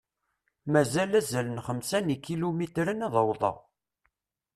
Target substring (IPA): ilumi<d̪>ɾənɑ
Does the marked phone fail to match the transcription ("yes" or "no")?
yes